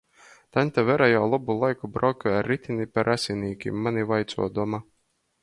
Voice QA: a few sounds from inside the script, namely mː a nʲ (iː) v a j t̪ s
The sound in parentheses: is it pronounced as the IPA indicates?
no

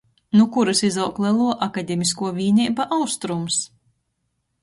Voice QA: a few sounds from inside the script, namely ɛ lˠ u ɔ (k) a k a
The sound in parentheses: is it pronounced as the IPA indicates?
no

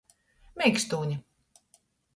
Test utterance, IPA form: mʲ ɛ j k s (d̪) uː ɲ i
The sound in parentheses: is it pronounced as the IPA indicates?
no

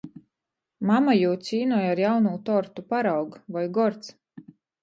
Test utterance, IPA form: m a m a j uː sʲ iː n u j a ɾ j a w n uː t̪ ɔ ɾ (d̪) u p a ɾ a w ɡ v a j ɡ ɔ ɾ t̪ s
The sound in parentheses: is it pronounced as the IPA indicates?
no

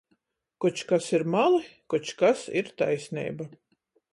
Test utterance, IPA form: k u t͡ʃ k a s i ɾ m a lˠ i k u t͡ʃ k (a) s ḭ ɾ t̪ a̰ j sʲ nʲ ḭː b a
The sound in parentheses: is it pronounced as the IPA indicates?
yes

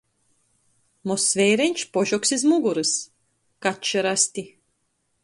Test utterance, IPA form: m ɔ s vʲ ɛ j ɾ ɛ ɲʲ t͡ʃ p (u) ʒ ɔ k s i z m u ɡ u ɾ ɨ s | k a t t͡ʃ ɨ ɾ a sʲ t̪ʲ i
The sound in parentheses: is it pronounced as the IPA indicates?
no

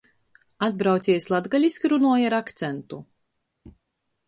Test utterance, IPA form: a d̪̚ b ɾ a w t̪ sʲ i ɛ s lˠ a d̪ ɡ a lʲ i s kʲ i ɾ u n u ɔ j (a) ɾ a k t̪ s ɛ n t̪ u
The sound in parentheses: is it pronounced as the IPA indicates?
yes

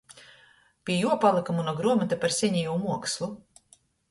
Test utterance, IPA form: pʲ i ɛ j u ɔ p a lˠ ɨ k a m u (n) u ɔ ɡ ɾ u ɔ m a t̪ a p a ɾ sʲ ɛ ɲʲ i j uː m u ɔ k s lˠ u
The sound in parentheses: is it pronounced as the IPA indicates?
yes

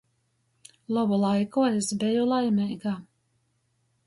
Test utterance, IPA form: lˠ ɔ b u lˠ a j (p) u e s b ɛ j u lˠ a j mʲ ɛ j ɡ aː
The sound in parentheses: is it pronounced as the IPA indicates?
no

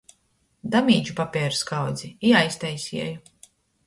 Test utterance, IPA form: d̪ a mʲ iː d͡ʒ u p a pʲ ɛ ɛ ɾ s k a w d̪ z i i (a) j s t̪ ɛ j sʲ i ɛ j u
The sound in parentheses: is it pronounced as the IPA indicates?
yes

